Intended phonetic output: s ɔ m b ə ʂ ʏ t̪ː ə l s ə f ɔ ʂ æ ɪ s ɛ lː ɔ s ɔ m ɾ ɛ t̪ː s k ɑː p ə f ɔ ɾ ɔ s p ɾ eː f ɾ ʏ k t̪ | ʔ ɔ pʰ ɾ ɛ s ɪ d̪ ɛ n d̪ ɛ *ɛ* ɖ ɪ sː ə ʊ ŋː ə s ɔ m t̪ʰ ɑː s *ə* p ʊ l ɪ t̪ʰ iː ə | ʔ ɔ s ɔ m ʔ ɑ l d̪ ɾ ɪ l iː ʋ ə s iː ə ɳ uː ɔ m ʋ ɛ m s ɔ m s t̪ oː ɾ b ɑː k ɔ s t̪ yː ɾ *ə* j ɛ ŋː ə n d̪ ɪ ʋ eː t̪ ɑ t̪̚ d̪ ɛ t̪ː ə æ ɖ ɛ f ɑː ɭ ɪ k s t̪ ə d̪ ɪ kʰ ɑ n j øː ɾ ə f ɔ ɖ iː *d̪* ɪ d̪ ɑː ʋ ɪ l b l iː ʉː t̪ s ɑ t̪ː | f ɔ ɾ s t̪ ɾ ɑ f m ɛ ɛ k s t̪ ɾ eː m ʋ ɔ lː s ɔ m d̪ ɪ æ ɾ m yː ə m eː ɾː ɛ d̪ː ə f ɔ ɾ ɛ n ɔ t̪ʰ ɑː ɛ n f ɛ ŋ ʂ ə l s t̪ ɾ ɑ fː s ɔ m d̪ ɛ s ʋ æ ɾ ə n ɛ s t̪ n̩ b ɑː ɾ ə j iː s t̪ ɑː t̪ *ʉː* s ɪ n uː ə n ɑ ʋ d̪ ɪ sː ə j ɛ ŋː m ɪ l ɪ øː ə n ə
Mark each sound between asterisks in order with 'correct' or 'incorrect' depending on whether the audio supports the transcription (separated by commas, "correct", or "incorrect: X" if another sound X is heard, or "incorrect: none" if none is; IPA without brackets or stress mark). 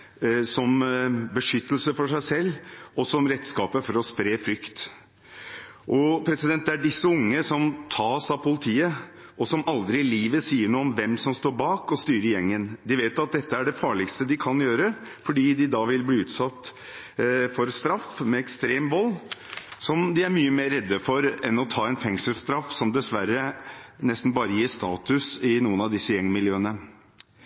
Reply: incorrect: æ, incorrect: ɑ, correct, correct, incorrect: ʉ